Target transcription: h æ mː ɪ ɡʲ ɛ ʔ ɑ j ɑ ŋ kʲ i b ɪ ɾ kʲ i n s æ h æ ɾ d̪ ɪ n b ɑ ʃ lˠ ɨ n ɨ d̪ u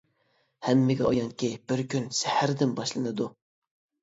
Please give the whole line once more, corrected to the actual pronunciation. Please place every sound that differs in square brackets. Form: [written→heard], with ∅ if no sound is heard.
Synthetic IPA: h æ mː ɪ ɡʲ ɛ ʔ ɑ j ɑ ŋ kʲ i b ɪ ɾ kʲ [i→y] n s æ h æ ɾ d̪ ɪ n b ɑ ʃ lˠ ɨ n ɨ d̪ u